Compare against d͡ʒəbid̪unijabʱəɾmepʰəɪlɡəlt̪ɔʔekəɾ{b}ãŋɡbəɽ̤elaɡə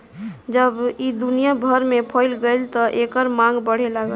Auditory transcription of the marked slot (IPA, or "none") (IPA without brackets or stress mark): m